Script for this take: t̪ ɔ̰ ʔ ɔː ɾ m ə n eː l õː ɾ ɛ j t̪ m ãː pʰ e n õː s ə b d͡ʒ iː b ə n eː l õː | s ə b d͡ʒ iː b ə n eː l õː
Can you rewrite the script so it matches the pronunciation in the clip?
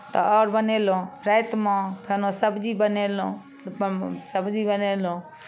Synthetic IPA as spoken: t̪ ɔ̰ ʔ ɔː ɾ b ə n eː l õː ɾ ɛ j t̪ m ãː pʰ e n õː s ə b d͡ʒ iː b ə n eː l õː | s ə b d͡ʒ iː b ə n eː l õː